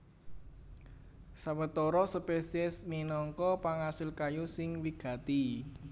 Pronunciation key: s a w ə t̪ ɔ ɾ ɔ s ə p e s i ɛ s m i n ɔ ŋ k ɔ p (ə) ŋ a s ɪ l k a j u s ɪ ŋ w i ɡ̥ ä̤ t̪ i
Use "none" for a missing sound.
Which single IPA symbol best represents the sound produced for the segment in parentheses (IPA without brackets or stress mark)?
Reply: a